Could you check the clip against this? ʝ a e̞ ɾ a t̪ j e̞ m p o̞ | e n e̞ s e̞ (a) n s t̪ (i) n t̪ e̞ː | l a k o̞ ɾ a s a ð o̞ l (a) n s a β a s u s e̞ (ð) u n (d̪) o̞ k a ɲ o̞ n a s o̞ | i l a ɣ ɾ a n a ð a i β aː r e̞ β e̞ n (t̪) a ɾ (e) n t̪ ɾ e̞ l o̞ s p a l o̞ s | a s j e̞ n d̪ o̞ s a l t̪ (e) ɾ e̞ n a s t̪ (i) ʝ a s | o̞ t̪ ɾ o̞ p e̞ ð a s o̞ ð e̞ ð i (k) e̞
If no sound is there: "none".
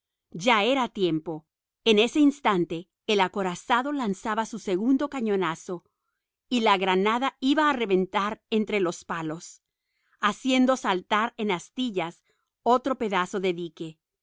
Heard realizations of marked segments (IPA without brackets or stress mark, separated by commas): i, a, a, ɣ, d̪, t̪, e, a, i, k